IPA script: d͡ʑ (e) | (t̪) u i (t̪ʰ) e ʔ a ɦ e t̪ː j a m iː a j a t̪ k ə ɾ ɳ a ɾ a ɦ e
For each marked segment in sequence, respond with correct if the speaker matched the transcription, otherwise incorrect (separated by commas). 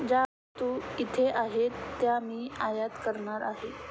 incorrect, correct, correct